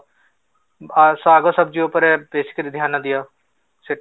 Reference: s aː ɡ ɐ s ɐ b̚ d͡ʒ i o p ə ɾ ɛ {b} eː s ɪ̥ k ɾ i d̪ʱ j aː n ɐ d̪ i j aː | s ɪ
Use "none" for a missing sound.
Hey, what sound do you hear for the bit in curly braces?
b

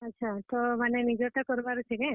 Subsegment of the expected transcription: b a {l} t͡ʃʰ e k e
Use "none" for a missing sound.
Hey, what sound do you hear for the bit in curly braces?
ɾ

